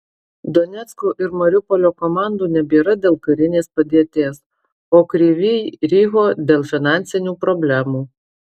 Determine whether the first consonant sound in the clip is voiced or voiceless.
voiced